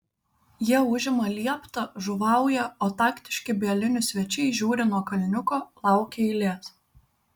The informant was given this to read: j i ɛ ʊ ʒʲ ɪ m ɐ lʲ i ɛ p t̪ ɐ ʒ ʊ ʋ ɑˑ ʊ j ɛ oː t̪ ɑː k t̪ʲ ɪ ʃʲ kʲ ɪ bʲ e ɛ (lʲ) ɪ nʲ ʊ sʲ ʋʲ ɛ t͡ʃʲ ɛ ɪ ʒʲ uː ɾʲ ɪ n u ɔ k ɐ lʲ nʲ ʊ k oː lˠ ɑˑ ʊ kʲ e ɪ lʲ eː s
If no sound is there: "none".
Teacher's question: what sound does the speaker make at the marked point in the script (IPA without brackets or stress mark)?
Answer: lʲ